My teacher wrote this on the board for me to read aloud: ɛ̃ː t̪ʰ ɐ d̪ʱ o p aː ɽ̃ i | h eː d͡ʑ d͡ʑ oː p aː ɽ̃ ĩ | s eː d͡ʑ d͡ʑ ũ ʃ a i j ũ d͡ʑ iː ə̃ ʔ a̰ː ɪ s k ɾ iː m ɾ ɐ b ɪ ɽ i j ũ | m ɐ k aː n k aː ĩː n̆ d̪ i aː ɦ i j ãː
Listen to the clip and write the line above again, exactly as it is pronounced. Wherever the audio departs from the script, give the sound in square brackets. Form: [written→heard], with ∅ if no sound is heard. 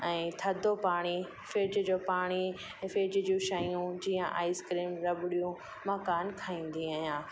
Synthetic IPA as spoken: ɛ̃ː t̪ʰ ɐ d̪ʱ o p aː ɽ̃ i | [h→f] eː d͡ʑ d͡ʑ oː p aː ɽ̃ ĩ | [s→f] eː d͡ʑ d͡ʑ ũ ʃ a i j ũ d͡ʑ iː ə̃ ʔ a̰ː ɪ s k ɾ iː m ɾ ɐ b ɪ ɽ i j ũ | m ɐ k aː n [k→kʰ] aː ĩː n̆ d̪ i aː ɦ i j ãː